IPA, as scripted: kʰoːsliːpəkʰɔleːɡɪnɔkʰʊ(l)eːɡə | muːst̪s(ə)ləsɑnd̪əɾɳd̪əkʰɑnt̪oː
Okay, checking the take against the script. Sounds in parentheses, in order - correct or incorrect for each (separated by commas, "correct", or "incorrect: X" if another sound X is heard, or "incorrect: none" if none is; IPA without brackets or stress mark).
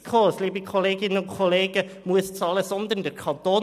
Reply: correct, incorrect: ɑ